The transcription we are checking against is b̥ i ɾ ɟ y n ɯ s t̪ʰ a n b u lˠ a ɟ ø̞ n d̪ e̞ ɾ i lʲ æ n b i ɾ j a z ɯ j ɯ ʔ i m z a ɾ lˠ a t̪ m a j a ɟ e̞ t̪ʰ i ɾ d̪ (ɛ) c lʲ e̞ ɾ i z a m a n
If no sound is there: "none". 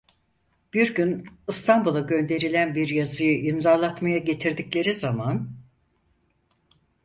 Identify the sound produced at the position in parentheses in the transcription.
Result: i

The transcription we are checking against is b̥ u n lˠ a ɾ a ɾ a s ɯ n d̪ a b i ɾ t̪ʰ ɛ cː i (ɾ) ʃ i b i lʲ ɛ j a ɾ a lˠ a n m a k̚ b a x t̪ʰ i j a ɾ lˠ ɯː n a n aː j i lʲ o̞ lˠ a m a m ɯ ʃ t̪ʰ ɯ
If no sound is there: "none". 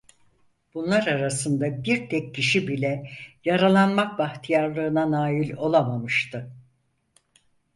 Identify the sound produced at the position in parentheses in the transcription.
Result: none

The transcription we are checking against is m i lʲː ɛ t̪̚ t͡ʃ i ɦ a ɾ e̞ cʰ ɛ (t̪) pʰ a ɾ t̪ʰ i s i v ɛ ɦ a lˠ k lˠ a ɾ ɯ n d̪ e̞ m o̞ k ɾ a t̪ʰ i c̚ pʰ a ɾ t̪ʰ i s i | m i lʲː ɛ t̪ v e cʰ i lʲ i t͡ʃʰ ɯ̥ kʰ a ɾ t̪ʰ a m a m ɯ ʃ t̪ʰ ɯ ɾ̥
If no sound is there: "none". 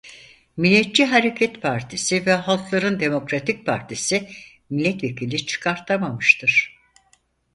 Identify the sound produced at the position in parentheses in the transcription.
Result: t̪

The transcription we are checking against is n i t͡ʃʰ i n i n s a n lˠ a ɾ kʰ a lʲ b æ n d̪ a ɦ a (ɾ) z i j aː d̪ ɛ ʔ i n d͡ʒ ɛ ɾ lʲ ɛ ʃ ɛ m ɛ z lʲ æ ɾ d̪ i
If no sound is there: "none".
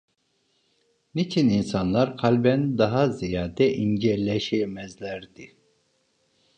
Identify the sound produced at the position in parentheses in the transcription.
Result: none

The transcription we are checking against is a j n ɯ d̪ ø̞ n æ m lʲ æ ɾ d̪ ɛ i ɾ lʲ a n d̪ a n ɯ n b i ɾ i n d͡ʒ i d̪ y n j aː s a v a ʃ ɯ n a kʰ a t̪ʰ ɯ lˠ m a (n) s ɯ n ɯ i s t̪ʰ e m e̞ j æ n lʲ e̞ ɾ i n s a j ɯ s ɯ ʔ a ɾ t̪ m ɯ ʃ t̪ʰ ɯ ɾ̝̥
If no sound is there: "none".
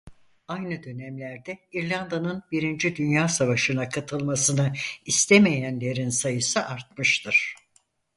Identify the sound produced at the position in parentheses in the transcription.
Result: none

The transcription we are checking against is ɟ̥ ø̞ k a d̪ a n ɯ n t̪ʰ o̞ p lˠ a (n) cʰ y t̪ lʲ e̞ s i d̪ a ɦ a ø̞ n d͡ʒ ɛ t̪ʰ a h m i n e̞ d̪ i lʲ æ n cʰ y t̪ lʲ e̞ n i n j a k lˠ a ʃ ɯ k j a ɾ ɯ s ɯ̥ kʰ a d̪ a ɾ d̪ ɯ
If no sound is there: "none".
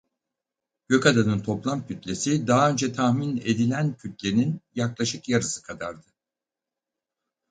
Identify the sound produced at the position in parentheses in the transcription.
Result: m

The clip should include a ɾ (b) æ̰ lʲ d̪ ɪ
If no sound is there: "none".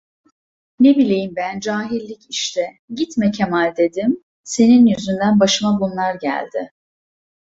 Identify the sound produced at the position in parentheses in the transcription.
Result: ɟ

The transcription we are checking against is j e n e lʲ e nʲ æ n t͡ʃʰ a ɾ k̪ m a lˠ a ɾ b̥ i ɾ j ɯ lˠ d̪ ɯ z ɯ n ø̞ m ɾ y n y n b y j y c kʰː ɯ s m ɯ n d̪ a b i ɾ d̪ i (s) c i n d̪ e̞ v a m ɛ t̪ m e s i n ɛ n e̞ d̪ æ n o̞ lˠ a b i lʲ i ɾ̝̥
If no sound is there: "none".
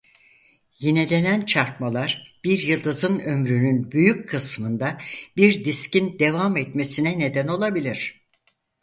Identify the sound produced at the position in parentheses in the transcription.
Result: s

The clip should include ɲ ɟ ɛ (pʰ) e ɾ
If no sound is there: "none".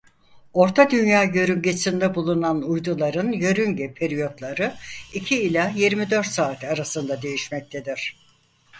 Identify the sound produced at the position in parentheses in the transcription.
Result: pʰ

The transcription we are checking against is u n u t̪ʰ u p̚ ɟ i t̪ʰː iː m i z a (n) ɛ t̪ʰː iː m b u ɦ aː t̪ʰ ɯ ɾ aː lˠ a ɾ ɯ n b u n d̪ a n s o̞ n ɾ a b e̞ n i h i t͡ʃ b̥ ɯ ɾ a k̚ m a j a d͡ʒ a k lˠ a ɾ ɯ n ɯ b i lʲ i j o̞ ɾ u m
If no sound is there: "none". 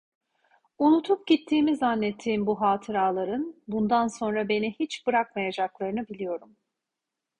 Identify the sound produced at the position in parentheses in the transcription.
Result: nː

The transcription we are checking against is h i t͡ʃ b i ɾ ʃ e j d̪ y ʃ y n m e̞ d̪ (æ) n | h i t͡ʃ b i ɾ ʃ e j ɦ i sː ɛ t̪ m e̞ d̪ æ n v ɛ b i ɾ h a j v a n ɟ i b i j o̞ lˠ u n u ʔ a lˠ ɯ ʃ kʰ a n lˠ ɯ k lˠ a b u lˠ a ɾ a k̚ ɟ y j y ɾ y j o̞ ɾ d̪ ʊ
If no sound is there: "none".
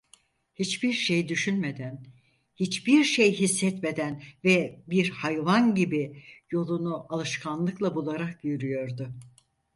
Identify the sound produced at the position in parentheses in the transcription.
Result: æ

